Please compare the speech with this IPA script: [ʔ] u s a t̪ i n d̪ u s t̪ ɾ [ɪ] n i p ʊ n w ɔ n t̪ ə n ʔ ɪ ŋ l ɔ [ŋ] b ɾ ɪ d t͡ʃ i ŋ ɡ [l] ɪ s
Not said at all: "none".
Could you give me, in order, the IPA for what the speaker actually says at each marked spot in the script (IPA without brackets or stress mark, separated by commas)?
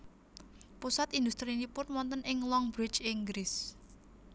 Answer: p, i, ŋ, ɾ